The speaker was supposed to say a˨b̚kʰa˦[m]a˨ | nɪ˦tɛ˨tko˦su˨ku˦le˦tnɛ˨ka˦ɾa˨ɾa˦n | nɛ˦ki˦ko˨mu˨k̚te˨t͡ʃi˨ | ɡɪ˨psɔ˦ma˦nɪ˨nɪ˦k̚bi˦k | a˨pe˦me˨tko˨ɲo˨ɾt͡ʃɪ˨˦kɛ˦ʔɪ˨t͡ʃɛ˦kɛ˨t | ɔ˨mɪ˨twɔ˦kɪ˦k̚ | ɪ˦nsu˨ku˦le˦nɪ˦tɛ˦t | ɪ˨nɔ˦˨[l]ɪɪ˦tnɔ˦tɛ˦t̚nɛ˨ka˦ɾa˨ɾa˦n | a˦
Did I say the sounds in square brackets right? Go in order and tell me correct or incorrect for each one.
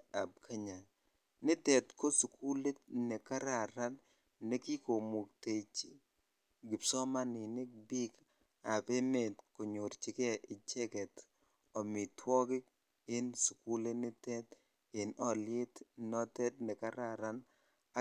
incorrect: ɲ, correct

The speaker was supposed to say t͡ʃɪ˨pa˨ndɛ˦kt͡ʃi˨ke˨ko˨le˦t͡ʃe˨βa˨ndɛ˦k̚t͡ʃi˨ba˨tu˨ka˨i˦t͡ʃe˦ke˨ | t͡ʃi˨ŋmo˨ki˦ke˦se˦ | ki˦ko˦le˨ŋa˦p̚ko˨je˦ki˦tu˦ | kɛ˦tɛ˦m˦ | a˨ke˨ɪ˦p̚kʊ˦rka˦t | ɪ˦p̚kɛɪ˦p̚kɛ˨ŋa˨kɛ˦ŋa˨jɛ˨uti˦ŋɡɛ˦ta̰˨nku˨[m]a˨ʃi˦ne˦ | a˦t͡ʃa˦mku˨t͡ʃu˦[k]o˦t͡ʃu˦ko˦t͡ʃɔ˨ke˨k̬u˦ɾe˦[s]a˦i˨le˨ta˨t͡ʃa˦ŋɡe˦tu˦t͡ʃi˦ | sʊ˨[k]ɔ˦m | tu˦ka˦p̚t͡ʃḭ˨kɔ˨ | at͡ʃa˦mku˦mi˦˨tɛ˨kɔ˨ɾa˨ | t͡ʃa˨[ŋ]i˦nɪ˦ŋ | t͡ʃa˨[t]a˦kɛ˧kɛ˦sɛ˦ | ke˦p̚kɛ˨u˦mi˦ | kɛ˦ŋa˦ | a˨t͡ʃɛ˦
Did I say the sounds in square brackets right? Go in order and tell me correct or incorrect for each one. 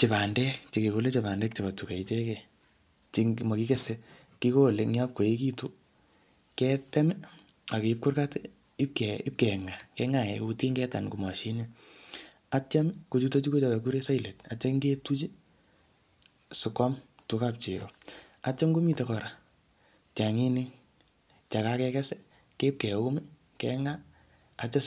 correct, incorrect: t, correct, correct, correct, incorrect: k

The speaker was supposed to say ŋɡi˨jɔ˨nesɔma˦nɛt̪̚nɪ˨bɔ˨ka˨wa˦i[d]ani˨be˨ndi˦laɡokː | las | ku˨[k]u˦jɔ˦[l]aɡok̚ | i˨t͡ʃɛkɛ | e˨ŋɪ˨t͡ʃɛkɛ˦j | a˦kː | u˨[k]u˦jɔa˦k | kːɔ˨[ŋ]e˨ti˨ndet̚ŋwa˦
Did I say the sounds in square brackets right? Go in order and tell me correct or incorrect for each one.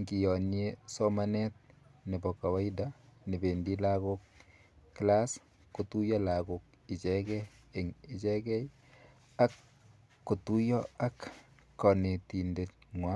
correct, incorrect: t, correct, incorrect: t, incorrect: n

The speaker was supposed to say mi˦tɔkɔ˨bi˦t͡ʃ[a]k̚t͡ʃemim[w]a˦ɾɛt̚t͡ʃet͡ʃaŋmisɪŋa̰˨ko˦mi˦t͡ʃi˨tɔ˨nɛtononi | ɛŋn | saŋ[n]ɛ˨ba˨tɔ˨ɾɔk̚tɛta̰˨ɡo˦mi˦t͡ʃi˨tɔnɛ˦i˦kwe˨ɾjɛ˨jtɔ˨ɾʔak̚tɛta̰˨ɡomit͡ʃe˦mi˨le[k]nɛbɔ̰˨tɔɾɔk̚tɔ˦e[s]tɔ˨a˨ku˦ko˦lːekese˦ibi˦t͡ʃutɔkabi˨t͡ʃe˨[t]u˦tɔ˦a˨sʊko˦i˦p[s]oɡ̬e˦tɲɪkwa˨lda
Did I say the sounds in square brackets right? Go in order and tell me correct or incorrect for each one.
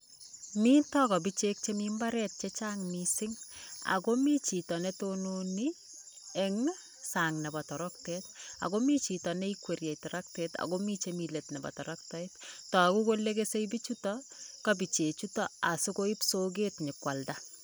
incorrect: e, incorrect: b, correct, incorrect: t, incorrect: t, incorrect: t͡ʃ, correct

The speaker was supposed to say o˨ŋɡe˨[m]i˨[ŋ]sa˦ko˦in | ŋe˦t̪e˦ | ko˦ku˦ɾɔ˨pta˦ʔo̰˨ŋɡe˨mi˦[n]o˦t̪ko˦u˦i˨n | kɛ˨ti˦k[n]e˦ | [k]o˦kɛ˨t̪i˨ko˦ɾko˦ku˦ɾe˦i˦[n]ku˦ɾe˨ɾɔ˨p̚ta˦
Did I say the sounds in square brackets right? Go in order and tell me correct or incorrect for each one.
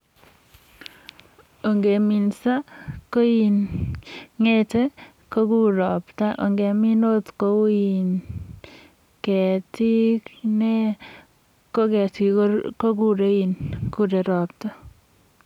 correct, incorrect: n, correct, correct, correct, correct

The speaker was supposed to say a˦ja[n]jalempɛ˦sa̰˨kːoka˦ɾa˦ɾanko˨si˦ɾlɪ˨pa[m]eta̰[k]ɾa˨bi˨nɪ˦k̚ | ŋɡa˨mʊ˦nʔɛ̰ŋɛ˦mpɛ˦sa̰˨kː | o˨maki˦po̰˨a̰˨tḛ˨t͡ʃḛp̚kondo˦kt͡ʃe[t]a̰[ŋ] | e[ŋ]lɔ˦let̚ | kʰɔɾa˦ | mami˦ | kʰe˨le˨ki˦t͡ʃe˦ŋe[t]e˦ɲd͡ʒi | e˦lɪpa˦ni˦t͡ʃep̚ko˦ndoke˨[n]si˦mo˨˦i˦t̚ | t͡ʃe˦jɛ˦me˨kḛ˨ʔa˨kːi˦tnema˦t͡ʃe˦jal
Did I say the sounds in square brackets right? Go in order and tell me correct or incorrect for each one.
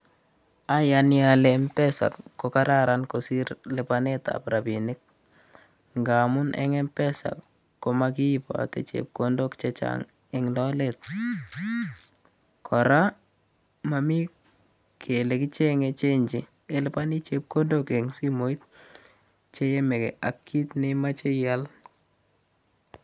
correct, incorrect: n, incorrect: p, incorrect: t͡ʃ, correct, correct, incorrect: t͡ʃ, incorrect: ŋ

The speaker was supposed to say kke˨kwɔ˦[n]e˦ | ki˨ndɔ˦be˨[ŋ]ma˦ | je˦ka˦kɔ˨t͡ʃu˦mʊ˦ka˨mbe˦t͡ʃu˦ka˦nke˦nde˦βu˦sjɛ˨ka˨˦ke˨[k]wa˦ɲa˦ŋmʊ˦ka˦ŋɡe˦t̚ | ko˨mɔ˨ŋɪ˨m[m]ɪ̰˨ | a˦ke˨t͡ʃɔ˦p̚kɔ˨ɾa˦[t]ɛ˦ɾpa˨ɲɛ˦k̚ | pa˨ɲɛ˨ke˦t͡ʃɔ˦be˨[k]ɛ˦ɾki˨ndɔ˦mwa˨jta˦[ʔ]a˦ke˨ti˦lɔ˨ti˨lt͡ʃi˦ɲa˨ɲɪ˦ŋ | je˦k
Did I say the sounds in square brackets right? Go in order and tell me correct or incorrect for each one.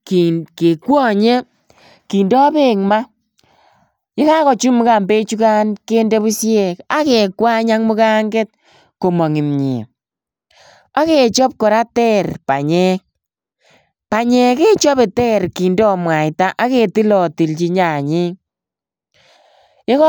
incorrect: ɲ, correct, correct, incorrect: ɲ, correct, incorrect: t, correct

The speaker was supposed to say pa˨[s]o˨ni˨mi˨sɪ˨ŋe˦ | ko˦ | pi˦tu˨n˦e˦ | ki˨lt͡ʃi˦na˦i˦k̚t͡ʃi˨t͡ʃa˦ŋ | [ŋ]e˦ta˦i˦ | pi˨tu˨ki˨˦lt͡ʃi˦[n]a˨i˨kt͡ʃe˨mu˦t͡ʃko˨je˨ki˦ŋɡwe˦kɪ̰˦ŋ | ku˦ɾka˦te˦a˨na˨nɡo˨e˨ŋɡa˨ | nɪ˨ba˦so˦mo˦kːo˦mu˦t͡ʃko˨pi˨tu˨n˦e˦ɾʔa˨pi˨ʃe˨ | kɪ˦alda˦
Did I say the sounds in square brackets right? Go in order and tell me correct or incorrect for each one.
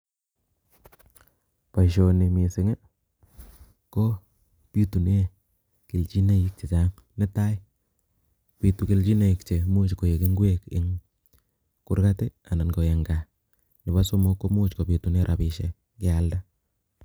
incorrect: ʃ, incorrect: n, correct

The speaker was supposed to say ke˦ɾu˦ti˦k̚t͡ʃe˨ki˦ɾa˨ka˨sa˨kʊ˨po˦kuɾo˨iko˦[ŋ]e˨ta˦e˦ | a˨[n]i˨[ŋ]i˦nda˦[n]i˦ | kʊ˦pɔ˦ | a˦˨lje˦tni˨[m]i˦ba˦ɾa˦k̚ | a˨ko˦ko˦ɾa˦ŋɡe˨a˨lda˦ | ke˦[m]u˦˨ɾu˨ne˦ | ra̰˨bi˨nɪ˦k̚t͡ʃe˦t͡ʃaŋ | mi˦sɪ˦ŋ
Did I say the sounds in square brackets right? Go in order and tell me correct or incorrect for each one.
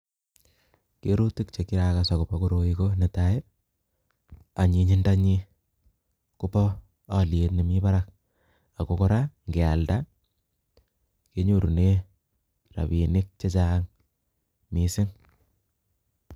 incorrect: n, incorrect: ɲ, incorrect: ɲ, incorrect: ɲ, correct, incorrect: ɲ

